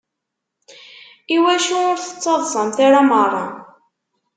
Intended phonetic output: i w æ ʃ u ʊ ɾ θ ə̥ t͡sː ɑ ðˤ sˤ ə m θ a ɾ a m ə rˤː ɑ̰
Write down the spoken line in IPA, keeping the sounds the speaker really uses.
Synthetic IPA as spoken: i w æ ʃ u ʊ ɾ θ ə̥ t͡sː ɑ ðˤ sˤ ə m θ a ɾ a m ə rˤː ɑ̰